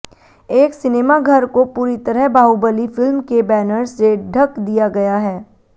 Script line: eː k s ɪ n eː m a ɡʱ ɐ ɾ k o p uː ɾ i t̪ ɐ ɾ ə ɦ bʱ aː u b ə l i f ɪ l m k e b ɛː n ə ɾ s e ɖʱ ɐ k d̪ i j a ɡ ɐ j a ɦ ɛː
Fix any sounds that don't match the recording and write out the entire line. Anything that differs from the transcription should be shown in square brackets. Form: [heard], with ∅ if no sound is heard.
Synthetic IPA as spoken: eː k s ɪ n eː m a ɡʱ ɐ ɾ k o p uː ɾ i t̪ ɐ ɾ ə ɦ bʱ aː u b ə l i f ɪ l m k e b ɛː n ə ɾ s e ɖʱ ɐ k d̪ i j a ɡ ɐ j a ɦ ɛː